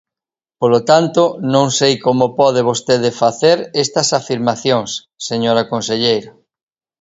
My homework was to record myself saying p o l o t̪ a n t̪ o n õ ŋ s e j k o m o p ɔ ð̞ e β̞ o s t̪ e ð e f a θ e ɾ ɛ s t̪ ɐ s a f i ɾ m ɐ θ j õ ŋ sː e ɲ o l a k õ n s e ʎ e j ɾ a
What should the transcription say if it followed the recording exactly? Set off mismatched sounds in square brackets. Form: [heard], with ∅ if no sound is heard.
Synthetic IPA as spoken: p o l o t̪ a n t̪ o n õ ŋ s e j k o m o p ɔ ð̞ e β̞ o s t̪ e ð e f a θ e ɾ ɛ s t̪ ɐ s a f i ɾ m [a] θ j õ ŋ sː e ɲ o [ɾ] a k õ n s e ʎ e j ɾ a